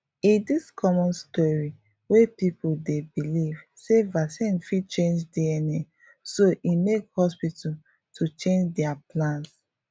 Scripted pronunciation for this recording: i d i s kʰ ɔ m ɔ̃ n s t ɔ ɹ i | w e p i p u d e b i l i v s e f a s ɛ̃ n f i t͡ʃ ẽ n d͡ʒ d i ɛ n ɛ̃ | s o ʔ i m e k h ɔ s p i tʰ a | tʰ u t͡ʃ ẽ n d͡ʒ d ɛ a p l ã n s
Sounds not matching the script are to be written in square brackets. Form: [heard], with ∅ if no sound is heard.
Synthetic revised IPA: i d i s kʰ ɔ m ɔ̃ n s t ɔ ɹ i | w e p i p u d e b i l i v s e [v] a s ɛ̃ n f i t͡ʃ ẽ n d͡ʒ d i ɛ n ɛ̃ | s o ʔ i m e k h ɔ s p i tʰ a | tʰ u t͡ʃ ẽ n d͡ʒ d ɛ a p l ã n s